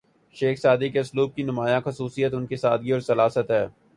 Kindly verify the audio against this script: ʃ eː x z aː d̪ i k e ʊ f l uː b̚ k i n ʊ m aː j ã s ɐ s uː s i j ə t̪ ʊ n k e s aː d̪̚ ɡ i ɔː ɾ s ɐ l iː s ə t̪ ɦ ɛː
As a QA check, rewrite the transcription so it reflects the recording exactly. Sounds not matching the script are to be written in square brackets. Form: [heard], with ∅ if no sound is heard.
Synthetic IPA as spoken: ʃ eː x [s] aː d̪ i k e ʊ [s] l uː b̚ k i n ʊ m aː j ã [x] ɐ s uː s i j ə t̪ ʊ n k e s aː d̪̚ ɡ i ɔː ɾ s ɐ l [aː] s ə t̪ ɦ ɛː